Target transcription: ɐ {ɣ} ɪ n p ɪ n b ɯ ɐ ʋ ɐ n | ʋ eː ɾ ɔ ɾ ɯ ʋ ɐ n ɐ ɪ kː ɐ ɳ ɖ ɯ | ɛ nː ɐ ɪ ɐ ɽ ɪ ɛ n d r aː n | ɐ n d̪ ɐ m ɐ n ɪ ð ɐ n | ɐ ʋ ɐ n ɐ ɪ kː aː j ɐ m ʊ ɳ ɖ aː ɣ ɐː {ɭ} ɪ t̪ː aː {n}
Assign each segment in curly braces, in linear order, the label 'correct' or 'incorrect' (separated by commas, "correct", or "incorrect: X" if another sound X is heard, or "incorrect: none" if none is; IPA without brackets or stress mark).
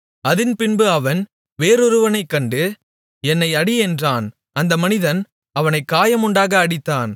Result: incorrect: ð, incorrect: ɽ, correct